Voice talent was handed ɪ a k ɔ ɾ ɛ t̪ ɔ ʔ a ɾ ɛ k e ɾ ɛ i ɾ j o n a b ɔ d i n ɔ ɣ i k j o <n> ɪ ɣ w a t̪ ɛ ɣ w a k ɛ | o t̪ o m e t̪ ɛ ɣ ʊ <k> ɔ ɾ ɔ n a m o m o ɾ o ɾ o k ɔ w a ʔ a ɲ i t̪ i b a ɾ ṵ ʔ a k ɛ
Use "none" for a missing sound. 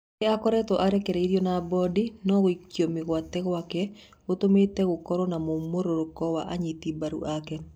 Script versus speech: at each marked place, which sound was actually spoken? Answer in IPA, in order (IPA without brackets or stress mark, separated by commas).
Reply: m, k